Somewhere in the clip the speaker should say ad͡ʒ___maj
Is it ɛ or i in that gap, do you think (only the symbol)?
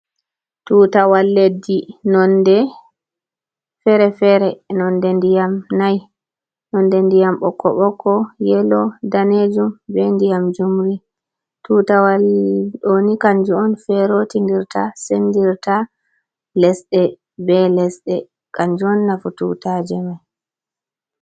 ɛ